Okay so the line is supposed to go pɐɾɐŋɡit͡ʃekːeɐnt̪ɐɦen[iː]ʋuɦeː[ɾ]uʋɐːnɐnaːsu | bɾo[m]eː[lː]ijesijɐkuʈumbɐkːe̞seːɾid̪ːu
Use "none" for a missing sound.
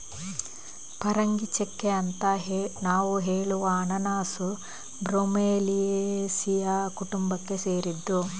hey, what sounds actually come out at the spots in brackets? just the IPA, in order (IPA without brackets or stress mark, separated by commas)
aː, ɭ, m, l